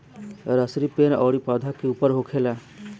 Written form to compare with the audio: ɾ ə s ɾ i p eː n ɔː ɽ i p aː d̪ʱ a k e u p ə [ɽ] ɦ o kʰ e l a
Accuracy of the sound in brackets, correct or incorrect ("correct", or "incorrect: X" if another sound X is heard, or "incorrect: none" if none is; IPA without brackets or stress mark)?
incorrect: ɾ